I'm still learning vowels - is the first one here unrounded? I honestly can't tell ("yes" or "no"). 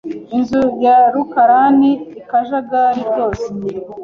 yes